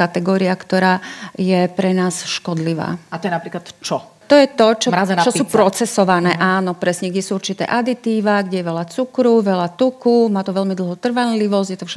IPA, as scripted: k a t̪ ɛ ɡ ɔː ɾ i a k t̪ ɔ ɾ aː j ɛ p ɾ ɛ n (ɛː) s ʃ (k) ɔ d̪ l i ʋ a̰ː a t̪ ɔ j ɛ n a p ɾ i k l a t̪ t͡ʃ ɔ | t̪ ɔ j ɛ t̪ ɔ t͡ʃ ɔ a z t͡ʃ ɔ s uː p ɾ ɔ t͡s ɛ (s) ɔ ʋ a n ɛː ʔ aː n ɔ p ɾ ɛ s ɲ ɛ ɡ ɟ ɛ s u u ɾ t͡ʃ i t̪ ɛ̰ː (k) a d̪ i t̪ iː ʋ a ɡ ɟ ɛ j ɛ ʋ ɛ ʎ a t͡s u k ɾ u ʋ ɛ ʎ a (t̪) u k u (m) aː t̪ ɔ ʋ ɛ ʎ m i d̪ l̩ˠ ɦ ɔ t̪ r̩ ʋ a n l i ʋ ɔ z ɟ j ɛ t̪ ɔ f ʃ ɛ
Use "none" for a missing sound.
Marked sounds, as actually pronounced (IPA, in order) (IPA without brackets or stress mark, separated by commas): aː, k, s, ʔ, t̪, m